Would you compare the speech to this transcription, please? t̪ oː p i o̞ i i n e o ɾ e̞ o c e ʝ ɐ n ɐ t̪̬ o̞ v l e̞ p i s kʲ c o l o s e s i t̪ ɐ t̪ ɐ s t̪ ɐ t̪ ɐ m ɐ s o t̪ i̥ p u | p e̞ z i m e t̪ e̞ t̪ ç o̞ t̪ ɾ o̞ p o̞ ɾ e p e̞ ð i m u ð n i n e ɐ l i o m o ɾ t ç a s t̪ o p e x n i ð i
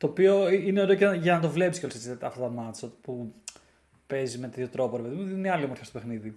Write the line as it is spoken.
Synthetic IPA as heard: t̪ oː p i o̞ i i n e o ɾ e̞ o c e ʝ ɐ n ɐ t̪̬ o̞ v l e̞ p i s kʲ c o l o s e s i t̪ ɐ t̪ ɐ f t̪ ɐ t̪ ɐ m ɐ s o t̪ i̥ p u | p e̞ z i m e t̪ e̞ t̪ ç o̞ t̪ ɾ o̞ p o̞ ɾ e p e̞ ð i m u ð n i n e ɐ l i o m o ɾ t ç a s t̪ o p e x n i ð i